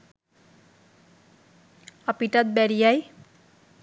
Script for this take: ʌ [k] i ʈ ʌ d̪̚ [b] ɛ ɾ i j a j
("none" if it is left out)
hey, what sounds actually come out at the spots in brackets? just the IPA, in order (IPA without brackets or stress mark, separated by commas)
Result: p, b